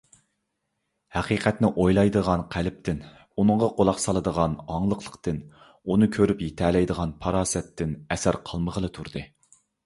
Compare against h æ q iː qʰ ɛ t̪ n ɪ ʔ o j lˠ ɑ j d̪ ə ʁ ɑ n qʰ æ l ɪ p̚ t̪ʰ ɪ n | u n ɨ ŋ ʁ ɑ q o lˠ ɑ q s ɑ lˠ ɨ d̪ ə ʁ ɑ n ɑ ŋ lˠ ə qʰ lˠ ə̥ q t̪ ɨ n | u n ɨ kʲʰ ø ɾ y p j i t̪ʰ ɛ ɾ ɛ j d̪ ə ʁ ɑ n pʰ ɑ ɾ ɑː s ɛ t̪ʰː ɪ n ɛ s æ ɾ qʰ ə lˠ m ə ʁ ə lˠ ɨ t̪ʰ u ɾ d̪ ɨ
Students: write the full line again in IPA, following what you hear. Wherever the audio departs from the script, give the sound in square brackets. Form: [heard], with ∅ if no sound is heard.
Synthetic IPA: h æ q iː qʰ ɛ t̪ n ɪ ʔ o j lˠ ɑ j d̪ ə ʁ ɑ n qʰ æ l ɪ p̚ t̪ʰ ɪ n | u n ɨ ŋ ʁ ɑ q o lˠ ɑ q s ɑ lˠ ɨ d̪ ə ʁ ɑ n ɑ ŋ lˠ ə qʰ lˠ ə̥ q t̪ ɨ n | u n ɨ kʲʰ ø ɾ y p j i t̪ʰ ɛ [l] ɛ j d̪ ə ʁ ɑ n pʰ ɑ ɾ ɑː s ɛ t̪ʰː ɪ n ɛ s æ ɾ qʰ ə lˠ m ə ʁ ə lˠ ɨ t̪ʰ u ɾ d̪ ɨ